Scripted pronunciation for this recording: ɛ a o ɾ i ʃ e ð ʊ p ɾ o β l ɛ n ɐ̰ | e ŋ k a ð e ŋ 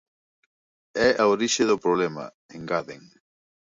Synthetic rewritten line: ɛ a o ɾ i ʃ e ð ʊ p ɾ o β l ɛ m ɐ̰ | e ŋ ɡ a ð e ŋ

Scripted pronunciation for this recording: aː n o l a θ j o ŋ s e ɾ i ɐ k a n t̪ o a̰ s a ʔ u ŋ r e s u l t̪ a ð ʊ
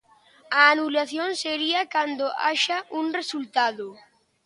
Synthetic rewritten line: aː n u l a θ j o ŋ s e ɾ i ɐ k a n d̪ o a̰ ʃ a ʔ u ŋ r e s u l t̪ a ð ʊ

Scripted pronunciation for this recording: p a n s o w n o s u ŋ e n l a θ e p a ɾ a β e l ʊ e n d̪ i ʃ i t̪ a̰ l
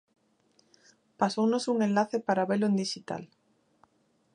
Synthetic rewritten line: p a s o w n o s u ŋ e n l a θ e p a ɾ a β e l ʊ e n d̪ i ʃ i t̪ a̰ l

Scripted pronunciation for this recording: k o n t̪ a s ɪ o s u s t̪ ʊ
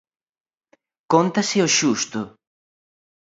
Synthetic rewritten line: k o n t̪ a s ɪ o ʃ u s t̪ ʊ

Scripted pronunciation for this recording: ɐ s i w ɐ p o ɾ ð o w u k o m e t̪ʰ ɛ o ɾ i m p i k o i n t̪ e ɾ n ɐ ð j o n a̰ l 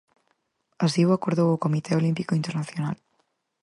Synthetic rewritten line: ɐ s i w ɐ k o ɾ ð o w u k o m i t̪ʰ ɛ o l i m p i k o i n t̪ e ɾ n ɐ θ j o n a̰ l

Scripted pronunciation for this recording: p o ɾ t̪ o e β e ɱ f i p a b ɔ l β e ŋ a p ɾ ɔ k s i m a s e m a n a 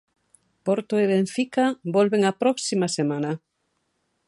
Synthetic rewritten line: p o ɾ t̪ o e β e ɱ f i k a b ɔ l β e ŋ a p ɾ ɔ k s i m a s e m a n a

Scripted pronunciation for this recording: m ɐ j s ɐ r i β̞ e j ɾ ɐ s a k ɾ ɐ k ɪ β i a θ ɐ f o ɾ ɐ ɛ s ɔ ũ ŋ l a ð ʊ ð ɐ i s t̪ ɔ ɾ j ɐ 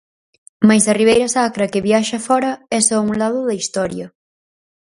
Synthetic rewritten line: m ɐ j s ɐ r i β̞ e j ɾ ɐ s a k ɾ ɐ k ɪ β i a ʃ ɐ f ɔ ɾ ɐ ɛ s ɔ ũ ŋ l a ð ʊ ð ɐ i s t̪ ɔ ɾ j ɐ

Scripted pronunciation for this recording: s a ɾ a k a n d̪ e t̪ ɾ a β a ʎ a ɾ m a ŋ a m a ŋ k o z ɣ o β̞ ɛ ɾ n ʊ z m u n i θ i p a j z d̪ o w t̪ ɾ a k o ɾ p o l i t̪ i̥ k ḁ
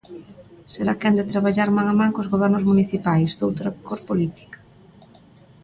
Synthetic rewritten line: s e ɾ a k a n d̪ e t̪ ɾ a β a ʎ a ɾ m a ŋ a m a ŋ k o z ɣ o β̞ ɛ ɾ n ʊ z m u n i θ i p a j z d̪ o w t̪ ɾ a k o ɾ p o l i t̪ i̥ k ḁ

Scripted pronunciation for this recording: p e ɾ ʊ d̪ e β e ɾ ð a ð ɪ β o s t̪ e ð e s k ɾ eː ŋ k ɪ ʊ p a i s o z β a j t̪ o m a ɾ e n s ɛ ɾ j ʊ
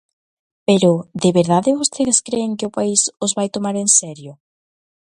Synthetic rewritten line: p e ɾ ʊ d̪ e β e ɾ ð a ð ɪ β o s t̪ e ð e s k ɾ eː ŋ k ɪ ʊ p a i s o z β a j t̪ o m a ɾ e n s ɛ ɾ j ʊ

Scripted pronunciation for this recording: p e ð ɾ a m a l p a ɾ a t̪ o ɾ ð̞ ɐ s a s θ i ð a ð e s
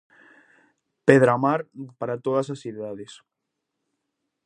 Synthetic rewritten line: p e ð ɾ a m a ɾ p a ɾ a t̪ o ð̞ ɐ s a s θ i ð a ð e s

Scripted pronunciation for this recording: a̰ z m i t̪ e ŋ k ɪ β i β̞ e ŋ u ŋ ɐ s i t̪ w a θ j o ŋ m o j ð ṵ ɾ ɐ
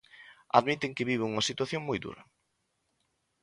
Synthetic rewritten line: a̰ ð m i t̪ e ŋ k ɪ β i β̞ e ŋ u ŋ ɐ s i t̪ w a θ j o ŋ m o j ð ṵ ɾ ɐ

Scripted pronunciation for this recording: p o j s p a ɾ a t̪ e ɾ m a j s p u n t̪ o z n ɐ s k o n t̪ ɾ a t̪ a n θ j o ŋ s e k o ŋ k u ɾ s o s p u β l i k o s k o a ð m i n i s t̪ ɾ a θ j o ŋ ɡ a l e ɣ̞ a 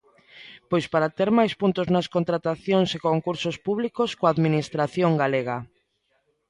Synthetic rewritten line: p o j s p a ɾ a t̪ e ɾ m a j s p u n t̪ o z n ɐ s k o n t̪ ɾ a t̪ a θ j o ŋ s e k o ŋ k u ɾ s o s p u β l i k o s k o a ð m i n i s t̪ ɾ a θ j o ŋ ɡ a l e ɣ̞ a

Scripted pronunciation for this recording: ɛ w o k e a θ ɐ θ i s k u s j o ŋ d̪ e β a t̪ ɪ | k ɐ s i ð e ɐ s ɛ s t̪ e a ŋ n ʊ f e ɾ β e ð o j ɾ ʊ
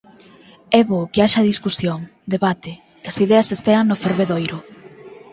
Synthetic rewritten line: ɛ β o k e a ʃ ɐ ð i s k u s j o ŋ d̪ e β a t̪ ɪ | k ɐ s i ð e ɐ s e s t̪ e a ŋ n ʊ f e ɾ β e ð o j ɾ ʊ

